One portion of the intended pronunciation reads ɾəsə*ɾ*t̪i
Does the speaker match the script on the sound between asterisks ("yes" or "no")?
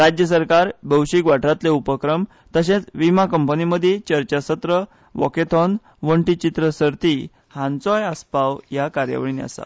yes